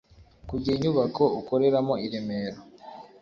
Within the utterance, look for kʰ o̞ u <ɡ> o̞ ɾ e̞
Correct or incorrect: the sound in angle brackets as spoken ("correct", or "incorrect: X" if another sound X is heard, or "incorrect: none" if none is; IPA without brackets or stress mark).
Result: incorrect: k